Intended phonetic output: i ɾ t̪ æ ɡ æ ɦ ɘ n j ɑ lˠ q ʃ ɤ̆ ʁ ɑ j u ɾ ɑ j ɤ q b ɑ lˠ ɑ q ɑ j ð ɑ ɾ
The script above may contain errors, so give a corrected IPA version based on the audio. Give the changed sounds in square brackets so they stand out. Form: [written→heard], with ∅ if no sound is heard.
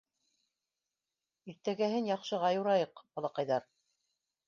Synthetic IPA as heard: i ɾ t̪ æ ɡ æ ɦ ɘ n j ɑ [lˠ→∅] q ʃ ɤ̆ ʁ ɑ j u ɾ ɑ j ɤ q b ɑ lˠ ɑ q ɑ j ð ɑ ɾ